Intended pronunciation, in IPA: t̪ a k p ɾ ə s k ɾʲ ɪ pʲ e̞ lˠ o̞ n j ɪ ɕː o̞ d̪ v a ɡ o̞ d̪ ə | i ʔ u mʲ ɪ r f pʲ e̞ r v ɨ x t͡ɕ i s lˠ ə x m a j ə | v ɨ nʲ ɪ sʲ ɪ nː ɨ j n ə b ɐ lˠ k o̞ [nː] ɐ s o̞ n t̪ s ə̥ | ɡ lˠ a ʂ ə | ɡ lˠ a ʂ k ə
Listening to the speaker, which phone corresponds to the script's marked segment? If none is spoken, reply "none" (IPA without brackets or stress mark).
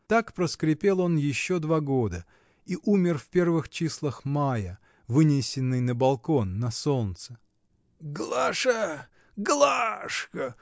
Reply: nː